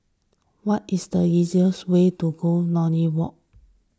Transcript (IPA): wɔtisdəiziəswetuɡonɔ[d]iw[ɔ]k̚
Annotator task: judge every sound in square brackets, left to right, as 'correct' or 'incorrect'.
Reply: incorrect: n, correct

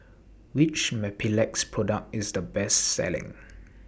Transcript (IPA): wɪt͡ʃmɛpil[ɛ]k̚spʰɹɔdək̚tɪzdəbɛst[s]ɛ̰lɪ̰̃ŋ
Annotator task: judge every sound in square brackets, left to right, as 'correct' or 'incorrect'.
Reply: correct, correct

